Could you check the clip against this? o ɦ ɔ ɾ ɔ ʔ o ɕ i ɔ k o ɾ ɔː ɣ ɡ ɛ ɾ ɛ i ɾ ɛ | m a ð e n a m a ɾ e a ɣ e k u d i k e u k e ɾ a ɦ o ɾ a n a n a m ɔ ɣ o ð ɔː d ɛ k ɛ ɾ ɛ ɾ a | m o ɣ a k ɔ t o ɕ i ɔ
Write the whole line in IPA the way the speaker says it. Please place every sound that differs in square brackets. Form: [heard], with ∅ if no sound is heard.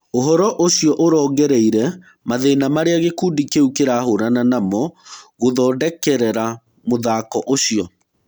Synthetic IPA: o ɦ ɔ ɾ ɔ ʔ o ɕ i ɔ [ʔ] o ɾ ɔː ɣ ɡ ɛ ɾ ɛ i ɾ ɛ | m a ð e n a m a ɾ e a ɣ e k u d i k e u k e ɾ a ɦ o ɾ a n a n a m ɔ ɣ o ð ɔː d ɛ k ɛ ɾ ɛ ɾ a | m o [ð] a k ɔ [ʔ] o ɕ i ɔ